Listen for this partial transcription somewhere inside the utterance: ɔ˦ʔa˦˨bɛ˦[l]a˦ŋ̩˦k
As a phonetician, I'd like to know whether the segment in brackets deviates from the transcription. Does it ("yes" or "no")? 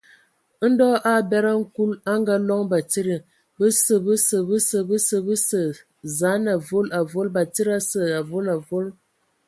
yes